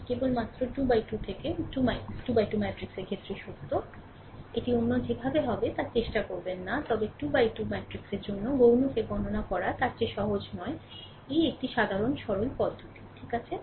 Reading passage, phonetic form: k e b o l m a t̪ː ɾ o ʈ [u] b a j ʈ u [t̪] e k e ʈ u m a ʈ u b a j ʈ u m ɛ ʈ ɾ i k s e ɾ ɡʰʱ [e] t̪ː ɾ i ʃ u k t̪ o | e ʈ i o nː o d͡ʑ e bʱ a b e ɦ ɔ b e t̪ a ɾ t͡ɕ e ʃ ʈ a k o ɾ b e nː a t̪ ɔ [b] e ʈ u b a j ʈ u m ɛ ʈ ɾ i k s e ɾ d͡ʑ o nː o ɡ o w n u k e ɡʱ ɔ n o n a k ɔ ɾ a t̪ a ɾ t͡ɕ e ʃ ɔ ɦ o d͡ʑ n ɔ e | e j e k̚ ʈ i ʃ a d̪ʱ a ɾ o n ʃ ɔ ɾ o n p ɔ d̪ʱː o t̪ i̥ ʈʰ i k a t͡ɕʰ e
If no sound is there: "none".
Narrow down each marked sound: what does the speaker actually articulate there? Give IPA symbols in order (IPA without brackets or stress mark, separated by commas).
u, t̪ʰ, e, b